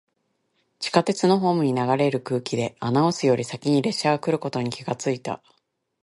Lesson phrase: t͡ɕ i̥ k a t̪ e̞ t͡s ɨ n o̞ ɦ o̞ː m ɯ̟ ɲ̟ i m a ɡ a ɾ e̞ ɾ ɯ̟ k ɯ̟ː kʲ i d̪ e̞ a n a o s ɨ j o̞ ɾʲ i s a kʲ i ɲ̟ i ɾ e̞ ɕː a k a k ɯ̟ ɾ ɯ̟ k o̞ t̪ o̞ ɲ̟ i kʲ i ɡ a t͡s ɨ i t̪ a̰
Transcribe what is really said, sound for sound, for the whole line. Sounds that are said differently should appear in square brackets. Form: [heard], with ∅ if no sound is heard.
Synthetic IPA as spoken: t͡ɕ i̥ k a t̪ e̞ t͡s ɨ n o̞ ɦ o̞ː m ɯ̟ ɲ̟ i [n] a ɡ a ɾ e̞ ɾ ɯ̟ k ɯ̟ː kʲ i d̪ e̞ a n a o s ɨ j o̞ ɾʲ i s a kʲ i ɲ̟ i ɾ e̞ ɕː a [ɡ] a k ɯ̟ ɾ ɯ̟ k o̞ t̪ o̞ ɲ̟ i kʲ i ɡ a t͡s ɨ i t̪ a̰

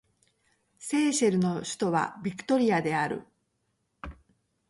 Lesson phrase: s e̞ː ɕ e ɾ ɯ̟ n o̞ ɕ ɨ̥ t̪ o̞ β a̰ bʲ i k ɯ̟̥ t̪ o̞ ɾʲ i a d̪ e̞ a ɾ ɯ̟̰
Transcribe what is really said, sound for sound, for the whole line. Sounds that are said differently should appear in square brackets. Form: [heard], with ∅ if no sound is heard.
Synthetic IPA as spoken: s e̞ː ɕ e ɾ ɯ̟ n o̞ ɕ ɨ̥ t̪ o̞ β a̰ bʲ i k ɯ̟̥ t̪ o̞ ɾʲ i a d̪ e̞ a ɾ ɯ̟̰

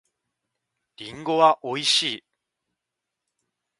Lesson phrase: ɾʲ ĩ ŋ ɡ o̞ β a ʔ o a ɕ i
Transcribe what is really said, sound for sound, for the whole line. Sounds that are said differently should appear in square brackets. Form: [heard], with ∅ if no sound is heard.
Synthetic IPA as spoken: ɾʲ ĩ ŋ ɡ o̞ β a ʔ o [i] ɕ [iː]

